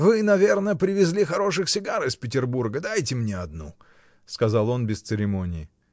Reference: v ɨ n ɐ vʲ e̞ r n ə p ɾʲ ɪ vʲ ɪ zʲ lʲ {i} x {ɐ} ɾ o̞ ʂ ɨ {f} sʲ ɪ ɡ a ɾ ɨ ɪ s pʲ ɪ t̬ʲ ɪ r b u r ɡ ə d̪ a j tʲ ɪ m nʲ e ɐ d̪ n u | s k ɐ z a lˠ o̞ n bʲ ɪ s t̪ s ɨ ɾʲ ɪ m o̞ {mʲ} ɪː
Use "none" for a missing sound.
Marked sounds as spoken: i, ɐ, x, nʲ

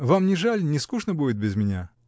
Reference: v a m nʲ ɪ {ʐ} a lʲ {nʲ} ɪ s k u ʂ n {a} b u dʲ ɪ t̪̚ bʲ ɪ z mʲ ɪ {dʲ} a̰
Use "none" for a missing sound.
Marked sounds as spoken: ʐ, nʲ, ə, nʲ

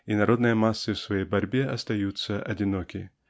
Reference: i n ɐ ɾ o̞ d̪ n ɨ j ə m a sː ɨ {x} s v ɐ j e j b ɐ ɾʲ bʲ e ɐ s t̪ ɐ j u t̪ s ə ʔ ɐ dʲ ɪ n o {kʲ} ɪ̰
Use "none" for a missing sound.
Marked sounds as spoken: f, kʲ

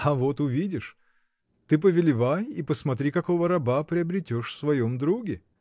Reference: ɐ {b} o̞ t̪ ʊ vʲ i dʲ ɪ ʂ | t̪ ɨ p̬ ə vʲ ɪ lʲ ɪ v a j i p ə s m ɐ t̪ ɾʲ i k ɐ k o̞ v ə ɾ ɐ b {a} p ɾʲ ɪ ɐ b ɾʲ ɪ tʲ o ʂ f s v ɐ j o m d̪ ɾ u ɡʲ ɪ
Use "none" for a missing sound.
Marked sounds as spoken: v, a

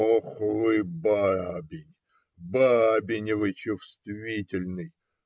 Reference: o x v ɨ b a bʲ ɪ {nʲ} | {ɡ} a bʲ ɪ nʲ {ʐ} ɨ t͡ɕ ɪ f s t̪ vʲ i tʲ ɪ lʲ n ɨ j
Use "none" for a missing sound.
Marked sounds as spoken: nʲ, b, v

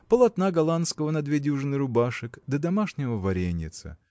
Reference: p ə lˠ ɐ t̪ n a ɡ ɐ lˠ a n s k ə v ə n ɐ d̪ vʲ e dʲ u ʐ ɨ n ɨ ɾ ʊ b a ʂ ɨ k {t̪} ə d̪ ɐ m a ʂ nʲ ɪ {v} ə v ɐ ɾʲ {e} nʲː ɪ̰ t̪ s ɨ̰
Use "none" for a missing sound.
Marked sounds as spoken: d̪, v, e

